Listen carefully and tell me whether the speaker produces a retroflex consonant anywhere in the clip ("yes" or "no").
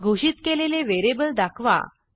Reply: no